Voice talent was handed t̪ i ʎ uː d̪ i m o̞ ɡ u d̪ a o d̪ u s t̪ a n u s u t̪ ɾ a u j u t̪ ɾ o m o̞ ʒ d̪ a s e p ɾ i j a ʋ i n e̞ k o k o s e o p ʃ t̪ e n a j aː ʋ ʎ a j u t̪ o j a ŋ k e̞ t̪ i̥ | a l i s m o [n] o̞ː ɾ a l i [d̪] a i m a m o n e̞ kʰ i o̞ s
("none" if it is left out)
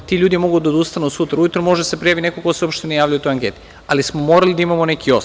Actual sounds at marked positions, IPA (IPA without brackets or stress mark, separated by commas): m, d̪